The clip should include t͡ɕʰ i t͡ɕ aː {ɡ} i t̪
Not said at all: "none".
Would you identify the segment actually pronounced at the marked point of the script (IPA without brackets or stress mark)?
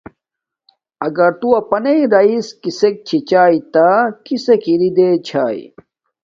none